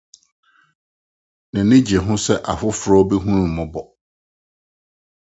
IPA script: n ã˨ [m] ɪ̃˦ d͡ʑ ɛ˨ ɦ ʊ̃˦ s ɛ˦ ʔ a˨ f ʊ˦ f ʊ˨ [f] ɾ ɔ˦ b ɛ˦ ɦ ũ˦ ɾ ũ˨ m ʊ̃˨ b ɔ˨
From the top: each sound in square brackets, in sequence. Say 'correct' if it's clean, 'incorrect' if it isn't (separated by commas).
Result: incorrect, incorrect